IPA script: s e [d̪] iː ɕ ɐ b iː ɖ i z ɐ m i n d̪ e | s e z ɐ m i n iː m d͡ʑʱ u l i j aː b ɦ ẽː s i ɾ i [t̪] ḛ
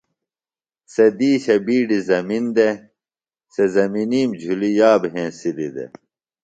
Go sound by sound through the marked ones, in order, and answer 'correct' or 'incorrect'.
correct, incorrect: d̪

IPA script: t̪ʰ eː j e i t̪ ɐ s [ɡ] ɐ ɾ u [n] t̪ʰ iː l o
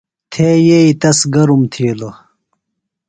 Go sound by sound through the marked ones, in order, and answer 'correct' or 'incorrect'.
correct, incorrect: m

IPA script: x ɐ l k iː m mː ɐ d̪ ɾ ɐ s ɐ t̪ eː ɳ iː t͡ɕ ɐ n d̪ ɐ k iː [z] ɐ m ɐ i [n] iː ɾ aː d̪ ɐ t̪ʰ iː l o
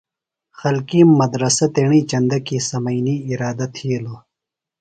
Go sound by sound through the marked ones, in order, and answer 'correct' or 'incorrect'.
incorrect: s, correct

